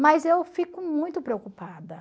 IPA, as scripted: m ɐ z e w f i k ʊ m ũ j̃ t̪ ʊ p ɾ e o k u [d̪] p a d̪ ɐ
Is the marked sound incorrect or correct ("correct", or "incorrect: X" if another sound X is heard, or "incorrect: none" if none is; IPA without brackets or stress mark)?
incorrect: none